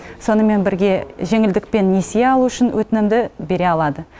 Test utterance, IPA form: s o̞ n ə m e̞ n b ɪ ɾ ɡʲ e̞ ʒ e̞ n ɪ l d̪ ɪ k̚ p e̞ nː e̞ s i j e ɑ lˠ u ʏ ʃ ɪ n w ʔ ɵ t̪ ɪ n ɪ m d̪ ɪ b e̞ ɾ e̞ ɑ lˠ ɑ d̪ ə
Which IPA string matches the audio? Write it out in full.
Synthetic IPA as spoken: s o̞ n ə m e̞ n b ɪ ɾ ɡʲ e̞ ʒ e̞ ŋ ɪ l d̪ ɪ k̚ p e̞ nː e̞ s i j e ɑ lˠ u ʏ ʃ ɪ n w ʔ ɵ t̪ ɪ n ɪ m d̪ ɪ b e̞ ɾ e̞ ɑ lˠ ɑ d̪ ə